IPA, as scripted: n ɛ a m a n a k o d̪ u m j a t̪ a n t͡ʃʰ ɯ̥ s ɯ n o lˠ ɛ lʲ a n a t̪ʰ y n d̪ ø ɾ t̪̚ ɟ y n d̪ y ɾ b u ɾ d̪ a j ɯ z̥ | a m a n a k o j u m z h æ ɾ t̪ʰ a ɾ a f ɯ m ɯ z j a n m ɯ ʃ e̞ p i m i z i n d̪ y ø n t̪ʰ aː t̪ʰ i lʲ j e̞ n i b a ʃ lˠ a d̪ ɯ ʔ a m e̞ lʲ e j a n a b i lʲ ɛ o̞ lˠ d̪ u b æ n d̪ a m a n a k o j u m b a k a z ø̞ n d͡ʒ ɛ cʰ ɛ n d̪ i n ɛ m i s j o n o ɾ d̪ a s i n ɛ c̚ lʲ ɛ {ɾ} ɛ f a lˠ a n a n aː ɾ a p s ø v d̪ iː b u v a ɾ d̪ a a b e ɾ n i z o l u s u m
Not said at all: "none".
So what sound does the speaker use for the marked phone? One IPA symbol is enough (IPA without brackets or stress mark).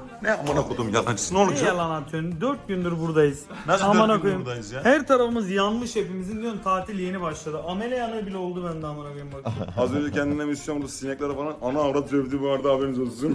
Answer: ɾ